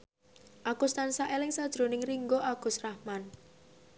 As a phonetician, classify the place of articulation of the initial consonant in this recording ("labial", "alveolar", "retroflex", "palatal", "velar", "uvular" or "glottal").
glottal